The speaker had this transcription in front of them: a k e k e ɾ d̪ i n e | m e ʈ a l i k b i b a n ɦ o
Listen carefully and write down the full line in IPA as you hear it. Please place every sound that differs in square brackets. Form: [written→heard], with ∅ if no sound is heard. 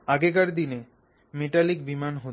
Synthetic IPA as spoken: a [k→ɡ] e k [e→a] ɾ d̪ i n e | m e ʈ a l i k b i [b→m] a n ɦ o